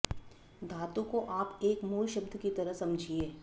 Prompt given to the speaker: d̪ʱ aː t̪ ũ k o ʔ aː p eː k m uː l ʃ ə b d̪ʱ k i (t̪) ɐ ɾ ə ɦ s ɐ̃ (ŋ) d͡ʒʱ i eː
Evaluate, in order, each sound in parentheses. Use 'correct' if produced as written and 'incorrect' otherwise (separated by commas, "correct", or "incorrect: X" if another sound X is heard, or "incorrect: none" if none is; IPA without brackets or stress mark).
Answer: correct, incorrect: m